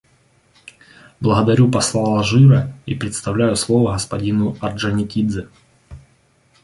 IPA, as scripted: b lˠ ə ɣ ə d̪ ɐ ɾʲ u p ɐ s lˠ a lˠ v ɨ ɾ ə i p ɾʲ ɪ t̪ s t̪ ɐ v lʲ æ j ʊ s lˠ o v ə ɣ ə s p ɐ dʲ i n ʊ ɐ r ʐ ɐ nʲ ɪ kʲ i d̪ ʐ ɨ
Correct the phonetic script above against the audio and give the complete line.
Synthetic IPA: b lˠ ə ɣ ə d̪ ɐ ɾʲ u p ɐ s lˠ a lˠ ʐ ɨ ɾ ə i p ɾʲ ɪ t̪ s t̪ ɐ v lʲ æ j ʊ s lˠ o v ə ɣ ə s p ɐ dʲ i n ʊ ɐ r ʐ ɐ nʲ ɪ kʲ i d̪ z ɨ